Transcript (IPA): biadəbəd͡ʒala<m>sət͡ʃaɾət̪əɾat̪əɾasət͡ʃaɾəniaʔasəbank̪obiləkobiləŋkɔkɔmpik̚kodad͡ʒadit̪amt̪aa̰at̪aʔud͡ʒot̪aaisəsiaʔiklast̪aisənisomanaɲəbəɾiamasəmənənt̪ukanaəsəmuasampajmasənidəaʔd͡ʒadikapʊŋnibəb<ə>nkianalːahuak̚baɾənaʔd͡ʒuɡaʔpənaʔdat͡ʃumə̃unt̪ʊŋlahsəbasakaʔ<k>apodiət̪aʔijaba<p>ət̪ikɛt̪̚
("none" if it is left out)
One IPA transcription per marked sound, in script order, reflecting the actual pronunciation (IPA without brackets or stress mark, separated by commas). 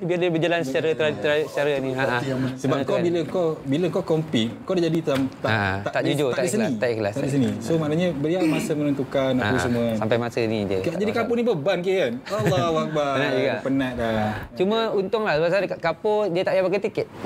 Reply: n, a, k, k